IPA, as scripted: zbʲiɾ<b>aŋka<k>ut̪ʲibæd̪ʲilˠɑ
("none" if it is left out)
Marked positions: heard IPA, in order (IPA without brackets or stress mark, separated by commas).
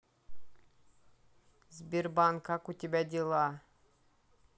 b, k